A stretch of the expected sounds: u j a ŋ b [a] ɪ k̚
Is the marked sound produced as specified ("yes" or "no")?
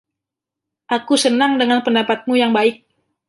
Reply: yes